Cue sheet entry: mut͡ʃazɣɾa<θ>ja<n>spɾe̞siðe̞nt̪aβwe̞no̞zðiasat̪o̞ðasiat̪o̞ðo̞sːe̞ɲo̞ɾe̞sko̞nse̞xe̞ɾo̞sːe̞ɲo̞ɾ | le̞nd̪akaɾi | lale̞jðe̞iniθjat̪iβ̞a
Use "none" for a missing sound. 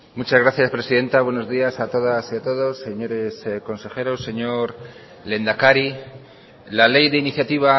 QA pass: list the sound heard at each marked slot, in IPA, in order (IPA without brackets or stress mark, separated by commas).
θ, none